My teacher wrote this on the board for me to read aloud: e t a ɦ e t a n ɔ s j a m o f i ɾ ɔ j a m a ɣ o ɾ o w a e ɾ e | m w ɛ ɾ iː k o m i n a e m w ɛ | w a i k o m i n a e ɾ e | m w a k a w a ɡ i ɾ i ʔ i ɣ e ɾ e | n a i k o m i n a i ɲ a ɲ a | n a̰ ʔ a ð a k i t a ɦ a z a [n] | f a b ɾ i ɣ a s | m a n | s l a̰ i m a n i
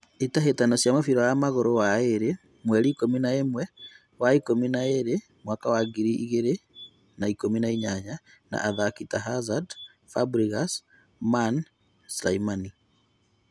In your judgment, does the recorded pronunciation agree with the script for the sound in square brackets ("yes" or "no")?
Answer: no